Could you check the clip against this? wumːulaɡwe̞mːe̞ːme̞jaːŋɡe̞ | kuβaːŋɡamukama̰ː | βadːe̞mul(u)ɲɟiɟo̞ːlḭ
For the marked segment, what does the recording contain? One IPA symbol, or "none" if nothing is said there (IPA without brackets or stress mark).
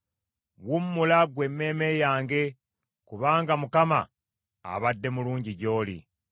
uː